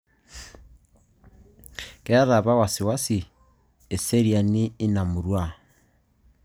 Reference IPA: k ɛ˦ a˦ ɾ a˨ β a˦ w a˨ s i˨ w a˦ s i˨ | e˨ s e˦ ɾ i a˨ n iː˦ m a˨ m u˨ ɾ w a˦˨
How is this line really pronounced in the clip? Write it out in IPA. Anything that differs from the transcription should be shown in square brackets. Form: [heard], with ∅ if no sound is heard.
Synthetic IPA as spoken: k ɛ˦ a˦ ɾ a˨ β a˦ w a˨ s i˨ w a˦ s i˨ | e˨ s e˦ ɾ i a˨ n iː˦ [n] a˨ m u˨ ɾ w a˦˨